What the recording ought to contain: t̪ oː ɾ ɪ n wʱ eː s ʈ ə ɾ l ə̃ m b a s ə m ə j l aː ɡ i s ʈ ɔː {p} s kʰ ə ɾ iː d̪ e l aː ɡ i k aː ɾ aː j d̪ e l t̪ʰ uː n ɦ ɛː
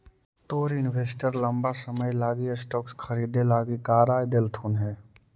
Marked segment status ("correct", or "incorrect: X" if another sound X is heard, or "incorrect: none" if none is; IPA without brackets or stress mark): incorrect: k